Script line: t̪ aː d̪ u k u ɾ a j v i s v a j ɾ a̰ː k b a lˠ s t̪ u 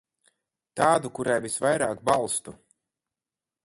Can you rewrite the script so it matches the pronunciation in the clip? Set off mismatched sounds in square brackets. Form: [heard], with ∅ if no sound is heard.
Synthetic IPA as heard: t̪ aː d̪ u k u ɾ a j v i s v a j ɾ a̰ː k b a lˠ s t̪ u